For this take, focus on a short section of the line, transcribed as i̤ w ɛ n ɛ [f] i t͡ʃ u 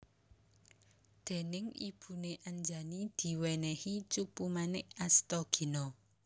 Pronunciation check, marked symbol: incorrect: h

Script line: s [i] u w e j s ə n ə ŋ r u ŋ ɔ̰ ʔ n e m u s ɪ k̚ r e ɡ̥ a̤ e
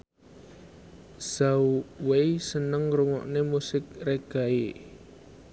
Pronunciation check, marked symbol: incorrect: a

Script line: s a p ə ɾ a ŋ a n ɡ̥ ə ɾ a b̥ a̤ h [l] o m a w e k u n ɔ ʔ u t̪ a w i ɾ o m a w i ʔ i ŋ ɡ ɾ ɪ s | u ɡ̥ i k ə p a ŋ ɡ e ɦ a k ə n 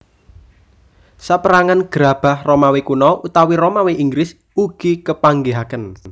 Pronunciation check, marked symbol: incorrect: r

